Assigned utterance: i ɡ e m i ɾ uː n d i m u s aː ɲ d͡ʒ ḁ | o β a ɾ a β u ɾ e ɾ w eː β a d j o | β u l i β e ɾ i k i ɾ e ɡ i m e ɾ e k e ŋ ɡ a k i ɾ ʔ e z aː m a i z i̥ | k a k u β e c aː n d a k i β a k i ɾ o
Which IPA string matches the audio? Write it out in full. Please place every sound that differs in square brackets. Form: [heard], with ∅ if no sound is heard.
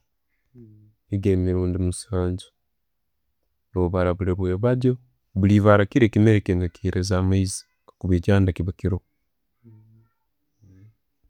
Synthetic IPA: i ɡ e m i ɾ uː n d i m u s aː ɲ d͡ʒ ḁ | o β a ɾ a β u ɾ e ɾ w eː β a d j o | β u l i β [a] ɾ [a] k i ɾ e [k] i m e ɾ e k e ŋ ɡ a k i ɾ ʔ e z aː m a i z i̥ | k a k u β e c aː n d a k i β a k i ɾ o